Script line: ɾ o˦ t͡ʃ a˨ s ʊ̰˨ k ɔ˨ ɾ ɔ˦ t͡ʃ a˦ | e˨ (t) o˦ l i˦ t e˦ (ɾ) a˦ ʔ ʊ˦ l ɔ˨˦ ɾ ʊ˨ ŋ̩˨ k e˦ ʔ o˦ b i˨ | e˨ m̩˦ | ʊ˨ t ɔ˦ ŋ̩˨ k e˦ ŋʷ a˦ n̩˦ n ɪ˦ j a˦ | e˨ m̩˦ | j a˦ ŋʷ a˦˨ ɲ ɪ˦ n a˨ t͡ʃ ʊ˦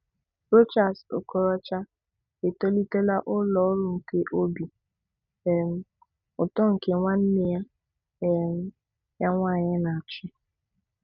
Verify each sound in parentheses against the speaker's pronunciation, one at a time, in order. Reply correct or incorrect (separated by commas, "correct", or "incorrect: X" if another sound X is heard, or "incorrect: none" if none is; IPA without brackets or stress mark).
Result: correct, incorrect: l